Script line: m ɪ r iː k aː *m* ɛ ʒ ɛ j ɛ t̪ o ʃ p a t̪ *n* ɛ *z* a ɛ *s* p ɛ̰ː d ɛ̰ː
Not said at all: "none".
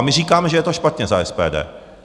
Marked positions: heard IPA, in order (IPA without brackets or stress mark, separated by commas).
m, ɲ, z, s